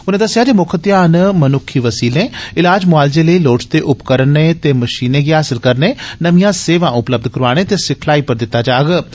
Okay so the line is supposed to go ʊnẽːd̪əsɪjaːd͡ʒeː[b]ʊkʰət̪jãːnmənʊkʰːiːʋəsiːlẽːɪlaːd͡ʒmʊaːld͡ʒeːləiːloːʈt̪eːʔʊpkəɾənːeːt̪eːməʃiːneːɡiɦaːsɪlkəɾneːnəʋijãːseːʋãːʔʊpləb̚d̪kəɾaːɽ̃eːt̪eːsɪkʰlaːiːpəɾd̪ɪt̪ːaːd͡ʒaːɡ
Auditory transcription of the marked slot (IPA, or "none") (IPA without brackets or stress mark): m